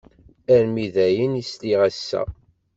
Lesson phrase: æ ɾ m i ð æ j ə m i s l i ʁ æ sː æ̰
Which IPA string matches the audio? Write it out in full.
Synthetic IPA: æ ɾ m i ð æ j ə n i s l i ʁ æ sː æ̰